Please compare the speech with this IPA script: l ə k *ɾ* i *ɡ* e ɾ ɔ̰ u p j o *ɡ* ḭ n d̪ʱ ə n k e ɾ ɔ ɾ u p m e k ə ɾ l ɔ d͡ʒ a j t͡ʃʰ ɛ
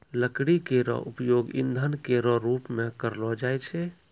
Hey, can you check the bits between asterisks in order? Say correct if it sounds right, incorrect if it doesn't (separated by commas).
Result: incorrect, incorrect, correct